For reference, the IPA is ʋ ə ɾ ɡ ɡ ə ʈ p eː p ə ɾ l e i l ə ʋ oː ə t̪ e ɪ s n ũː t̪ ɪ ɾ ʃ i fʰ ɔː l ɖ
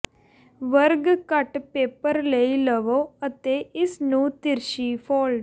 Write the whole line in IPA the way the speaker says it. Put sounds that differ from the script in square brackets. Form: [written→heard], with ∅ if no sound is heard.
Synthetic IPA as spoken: ʋ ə ɾ ɡ [ɡ→k] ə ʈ p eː p ə ɾ l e i l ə ʋ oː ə t̪ e ɪ s n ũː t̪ ɪ ɾ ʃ i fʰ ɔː l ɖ